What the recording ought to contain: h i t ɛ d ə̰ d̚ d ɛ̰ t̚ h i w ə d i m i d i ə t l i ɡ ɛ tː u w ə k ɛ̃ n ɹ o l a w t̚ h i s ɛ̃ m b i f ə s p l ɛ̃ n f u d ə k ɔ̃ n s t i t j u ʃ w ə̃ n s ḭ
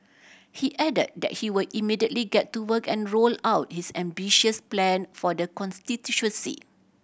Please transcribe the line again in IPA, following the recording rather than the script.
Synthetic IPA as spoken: h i ʔ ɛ d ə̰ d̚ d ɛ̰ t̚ h i w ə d i m i d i ə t l i ɡ ɛ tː u w ə k ɛ̃ n ɹ o l a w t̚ h i s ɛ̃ m b i ʃ ə s p l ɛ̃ n f ɔ d ə k ɔ̃ n s t i t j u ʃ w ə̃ n s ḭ